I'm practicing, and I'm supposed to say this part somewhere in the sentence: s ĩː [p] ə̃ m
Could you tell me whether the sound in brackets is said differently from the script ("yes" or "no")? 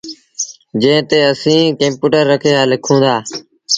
yes